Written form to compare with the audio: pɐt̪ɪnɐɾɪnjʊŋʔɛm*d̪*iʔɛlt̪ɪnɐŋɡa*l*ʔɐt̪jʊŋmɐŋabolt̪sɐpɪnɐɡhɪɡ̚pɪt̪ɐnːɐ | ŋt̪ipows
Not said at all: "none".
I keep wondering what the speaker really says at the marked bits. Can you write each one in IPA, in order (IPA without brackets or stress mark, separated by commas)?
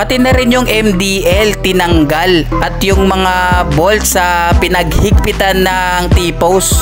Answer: d̪, l